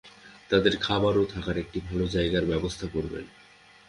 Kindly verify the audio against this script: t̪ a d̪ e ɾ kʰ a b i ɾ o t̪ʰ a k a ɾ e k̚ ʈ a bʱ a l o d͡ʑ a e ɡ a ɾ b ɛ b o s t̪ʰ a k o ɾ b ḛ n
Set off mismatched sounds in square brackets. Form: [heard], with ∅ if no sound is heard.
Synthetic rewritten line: t̪ a d̪ e ɾ kʰ a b [a] ɾ o t̪ʰ a k a ɾ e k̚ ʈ [i] bʱ a l o d͡ʑ a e ɡ a ɾ b ɛ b o s t̪ʰ a k o ɾ b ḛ n